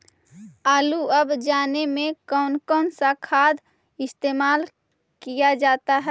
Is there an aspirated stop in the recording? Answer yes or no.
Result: yes